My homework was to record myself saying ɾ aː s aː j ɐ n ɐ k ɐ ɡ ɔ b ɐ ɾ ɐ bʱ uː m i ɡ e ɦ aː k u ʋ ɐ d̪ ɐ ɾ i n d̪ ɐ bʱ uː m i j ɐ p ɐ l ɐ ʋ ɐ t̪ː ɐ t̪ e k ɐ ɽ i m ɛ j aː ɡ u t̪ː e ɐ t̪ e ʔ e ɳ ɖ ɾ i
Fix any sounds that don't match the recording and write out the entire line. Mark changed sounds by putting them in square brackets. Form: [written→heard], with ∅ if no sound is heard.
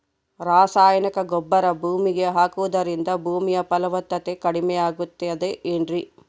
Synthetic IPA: ɾ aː s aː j ɐ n ɐ k ɐ ɡ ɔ [b→bː] ɐ ɾ ɐ bʱ uː m i ɡ e ɦ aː k u ʋ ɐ d̪ ɐ ɾ i n d̪ ɐ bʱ uː m i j ɐ p ɐ l ɐ ʋ ɐ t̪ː ɐ t̪ e k ɐ ɽ i m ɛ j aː ɡ u t̪ː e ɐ [t̪→d̪] e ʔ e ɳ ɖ ɾ i